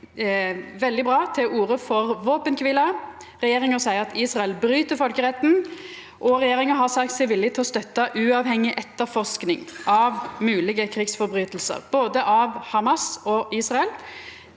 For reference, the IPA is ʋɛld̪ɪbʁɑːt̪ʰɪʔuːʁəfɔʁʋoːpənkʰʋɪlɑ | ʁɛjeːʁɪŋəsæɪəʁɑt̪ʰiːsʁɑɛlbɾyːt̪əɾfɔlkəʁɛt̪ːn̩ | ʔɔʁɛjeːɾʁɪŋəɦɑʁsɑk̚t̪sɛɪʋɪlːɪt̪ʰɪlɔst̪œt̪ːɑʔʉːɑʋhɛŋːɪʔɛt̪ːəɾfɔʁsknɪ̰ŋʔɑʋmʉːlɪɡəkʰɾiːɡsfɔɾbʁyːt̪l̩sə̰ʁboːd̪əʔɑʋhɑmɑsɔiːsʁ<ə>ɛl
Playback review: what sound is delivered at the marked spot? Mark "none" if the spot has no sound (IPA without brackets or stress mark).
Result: ɑ